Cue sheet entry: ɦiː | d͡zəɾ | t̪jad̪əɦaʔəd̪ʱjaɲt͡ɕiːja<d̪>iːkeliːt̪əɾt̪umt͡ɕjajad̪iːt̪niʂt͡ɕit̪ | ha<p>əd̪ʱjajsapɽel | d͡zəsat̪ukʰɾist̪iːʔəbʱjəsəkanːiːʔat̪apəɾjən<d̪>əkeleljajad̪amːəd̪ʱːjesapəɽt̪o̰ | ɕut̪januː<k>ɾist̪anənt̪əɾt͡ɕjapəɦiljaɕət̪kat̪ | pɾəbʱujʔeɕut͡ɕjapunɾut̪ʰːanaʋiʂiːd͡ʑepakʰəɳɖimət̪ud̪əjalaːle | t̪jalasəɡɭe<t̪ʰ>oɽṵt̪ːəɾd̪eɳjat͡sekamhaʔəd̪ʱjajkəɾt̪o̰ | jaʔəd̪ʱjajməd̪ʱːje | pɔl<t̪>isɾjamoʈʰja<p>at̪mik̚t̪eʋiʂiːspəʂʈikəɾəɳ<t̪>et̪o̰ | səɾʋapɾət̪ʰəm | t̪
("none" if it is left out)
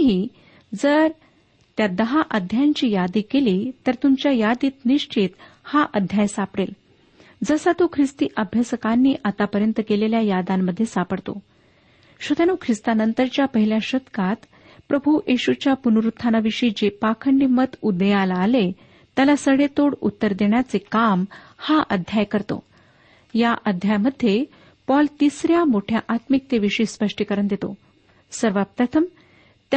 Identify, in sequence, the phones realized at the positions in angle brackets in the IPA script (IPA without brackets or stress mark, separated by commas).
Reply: d̪, ʔ, t̪, kʰ, t̪, t̪, ʔ, d̪